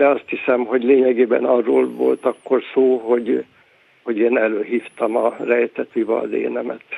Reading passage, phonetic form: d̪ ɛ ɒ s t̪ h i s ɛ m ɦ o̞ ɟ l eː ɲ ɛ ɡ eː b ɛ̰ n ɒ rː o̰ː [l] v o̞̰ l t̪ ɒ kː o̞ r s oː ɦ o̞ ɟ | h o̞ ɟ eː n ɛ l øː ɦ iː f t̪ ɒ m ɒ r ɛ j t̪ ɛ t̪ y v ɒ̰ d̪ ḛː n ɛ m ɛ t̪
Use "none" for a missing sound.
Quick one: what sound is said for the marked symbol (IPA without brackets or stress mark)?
l